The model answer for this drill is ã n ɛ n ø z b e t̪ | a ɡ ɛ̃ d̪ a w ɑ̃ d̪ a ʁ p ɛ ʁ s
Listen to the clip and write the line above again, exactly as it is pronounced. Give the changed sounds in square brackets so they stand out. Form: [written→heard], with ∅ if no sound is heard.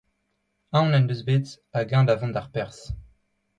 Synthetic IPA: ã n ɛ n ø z b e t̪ | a ɡ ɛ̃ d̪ a [w→v] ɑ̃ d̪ a ʁ p ɛ ʁ s